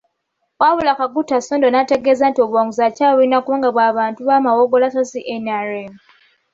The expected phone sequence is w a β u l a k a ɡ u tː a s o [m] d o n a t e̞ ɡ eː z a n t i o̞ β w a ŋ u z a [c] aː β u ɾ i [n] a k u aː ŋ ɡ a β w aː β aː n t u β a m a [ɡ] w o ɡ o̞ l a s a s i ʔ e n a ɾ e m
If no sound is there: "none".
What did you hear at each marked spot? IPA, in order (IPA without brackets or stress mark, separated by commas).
n, c, n, none